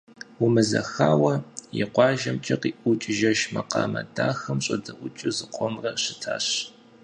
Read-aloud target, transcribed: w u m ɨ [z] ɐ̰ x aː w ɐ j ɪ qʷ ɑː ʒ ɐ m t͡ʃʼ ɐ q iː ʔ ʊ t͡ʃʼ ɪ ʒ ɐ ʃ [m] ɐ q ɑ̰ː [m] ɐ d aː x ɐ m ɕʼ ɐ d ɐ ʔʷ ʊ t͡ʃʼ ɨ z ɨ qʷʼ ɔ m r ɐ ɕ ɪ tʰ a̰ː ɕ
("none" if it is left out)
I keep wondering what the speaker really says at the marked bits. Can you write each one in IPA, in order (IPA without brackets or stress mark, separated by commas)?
z, m, m